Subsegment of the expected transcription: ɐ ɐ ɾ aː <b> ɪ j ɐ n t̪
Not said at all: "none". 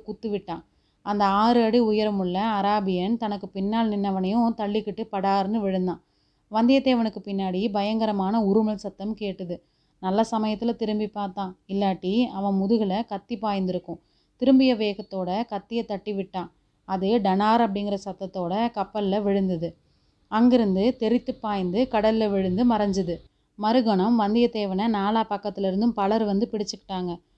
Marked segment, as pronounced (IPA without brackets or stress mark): b